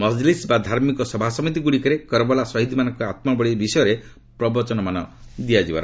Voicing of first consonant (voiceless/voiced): voiced